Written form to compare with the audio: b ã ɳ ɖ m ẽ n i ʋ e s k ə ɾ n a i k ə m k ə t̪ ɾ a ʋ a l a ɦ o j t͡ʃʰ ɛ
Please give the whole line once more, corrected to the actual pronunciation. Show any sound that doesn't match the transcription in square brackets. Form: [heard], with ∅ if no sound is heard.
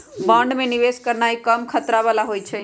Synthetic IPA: b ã ɳ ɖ m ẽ n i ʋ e s k ə ɾ n a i k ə m [kʰ] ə t̪ ɾ a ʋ a l a ɦ o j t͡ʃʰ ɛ

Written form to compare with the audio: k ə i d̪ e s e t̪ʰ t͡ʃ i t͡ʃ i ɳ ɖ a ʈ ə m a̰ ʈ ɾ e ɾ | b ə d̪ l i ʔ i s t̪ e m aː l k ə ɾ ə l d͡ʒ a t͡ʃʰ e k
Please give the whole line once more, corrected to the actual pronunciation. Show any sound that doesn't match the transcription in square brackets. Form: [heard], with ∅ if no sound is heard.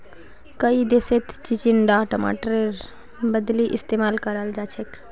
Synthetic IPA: k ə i d̪ e s e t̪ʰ t͡ʃ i t͡ʃ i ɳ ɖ a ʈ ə m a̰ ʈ ɾ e ɾ | b ə d̪ l i ʔ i s t̪ e m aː l k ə ɾ ə l d͡ʒ a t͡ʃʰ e k

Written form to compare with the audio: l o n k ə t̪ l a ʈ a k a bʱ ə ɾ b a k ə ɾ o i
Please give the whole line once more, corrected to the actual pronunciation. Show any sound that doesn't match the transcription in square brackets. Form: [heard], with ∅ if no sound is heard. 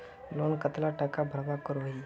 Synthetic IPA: l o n k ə t̪ l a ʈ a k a bʱ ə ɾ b a k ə ɾ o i

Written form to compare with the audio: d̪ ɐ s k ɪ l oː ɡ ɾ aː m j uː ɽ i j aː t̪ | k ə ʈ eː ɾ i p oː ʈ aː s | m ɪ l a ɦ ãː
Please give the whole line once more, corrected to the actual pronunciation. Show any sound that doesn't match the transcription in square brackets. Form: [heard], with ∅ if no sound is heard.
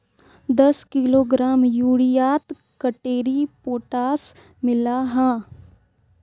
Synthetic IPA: d̪ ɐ s k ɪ l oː ɡ ɾ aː m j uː ɽ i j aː t̪ | k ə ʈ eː ɾ i p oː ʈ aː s | m ɪ l a ɦ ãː

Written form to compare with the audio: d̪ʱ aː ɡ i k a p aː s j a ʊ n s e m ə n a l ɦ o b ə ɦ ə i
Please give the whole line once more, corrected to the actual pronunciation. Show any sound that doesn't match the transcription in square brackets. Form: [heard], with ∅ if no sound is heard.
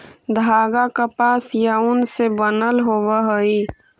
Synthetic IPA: d̪ʱ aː ɡ [a] k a p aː s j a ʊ n s e [b] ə n [ə] l ɦ o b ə ɦ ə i

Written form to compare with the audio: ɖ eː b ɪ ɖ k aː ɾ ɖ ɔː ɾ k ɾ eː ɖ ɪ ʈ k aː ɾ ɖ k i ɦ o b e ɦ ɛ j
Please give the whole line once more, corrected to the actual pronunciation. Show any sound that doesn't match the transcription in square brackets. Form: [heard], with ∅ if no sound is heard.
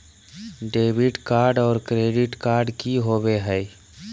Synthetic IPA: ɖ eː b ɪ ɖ k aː ɾ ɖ ɔː ɾ k ɾ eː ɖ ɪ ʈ k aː ɾ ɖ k i ɦ o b e ɦ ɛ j

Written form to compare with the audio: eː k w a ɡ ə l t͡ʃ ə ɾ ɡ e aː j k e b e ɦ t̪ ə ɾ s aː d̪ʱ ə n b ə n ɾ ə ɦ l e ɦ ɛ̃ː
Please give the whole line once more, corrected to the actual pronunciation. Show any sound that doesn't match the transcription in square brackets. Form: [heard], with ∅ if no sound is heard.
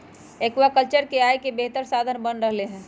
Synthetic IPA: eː k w a [k] ə l t͡ʃ ə ɾ [k] e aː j k e b e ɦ t̪ ə ɾ s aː d̪ʱ ə n b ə n ɾ ə ɦ l e ɦ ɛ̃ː

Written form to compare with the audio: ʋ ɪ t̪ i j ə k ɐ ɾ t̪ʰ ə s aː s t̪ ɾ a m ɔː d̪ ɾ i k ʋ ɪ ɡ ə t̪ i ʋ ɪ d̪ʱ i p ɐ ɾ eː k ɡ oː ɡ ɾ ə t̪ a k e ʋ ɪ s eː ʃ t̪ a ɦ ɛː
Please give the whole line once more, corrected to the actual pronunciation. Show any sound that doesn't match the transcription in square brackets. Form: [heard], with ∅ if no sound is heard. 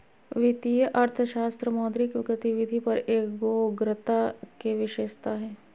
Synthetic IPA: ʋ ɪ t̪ i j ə [ʔ] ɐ ɾ t̪ʰ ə [ʃ] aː s t̪ ɾ [ə] m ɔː d̪ ɾ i k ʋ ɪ ɡ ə t̪ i ʋ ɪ d̪ʱ i p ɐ ɾ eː k ɡ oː ɡ ɾ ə t̪ a k e ʋ ɪ [ʃ] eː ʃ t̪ a ɦ ɛː

